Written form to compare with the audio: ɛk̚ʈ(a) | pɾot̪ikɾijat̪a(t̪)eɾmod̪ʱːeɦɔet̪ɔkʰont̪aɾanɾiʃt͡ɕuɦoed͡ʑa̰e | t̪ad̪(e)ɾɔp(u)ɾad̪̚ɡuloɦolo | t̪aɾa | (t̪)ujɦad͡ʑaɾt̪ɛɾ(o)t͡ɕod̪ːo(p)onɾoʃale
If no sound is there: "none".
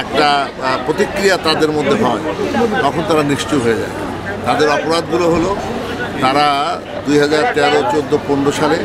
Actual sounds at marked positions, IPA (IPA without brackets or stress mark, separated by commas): a, d̪, e, o, d̪, o, p